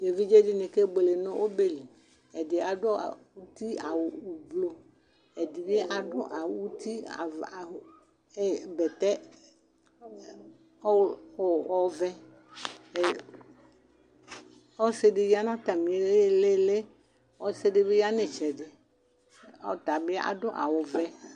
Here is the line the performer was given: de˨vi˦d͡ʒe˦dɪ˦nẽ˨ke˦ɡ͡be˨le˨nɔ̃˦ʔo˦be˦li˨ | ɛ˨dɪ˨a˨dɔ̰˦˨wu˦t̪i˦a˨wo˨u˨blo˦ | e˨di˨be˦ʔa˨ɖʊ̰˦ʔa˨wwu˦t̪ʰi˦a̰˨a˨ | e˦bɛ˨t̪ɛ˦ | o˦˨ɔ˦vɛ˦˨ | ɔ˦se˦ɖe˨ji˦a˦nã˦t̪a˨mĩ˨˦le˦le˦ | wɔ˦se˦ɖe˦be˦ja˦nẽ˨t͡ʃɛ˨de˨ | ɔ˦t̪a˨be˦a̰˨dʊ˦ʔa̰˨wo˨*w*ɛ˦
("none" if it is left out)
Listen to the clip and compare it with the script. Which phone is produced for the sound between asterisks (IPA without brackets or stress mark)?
v